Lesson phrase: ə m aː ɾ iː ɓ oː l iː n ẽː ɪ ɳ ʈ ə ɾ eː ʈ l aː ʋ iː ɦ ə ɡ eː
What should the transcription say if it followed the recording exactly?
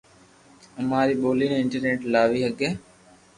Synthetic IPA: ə m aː ɾ iː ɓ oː l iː n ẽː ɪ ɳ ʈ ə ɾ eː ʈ l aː ʋ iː ɦ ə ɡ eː